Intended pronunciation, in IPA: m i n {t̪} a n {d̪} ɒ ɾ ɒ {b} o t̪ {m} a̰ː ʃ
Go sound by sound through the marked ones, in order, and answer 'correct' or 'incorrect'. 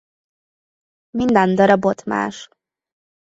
incorrect: d̪, correct, correct, correct

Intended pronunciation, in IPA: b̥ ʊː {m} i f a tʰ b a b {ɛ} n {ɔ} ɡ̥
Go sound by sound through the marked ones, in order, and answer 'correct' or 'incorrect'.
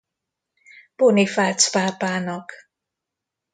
incorrect: n, incorrect: a, correct

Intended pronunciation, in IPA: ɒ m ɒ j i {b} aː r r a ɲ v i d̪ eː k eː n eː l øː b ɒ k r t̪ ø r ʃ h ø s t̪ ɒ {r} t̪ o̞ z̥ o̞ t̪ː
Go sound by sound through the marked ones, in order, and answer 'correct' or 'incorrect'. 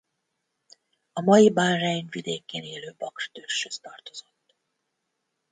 correct, correct

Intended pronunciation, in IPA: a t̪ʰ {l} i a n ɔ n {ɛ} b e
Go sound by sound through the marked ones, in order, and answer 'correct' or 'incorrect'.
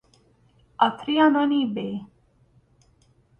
incorrect: ɾ, incorrect: i

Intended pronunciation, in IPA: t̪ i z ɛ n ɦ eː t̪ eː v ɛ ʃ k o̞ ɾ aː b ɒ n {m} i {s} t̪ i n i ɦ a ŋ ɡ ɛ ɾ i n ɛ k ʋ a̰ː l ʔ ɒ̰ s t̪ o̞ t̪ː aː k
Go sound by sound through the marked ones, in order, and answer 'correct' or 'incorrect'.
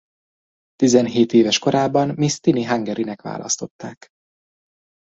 correct, correct

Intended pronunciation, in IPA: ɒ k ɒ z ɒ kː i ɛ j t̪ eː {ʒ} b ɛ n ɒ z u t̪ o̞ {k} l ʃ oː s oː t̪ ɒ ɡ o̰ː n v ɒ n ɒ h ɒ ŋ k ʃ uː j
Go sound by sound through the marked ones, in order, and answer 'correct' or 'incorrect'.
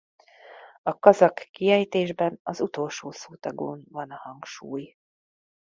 correct, incorrect: none

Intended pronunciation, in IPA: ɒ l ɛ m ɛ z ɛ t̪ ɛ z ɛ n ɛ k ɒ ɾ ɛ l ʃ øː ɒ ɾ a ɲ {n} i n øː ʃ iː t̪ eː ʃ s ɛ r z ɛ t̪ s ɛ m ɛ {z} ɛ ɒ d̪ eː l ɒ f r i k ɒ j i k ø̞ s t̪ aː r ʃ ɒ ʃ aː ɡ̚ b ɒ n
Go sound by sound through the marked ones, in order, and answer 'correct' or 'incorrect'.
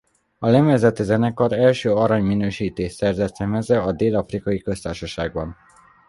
incorrect: m, correct

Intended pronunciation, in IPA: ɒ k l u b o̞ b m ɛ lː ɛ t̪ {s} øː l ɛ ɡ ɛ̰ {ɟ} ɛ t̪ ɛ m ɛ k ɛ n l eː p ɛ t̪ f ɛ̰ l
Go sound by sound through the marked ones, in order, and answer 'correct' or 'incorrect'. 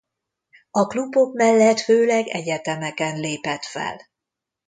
incorrect: f, correct

